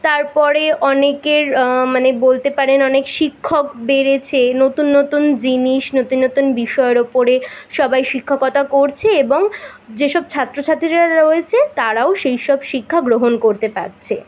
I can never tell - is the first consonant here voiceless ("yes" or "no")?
yes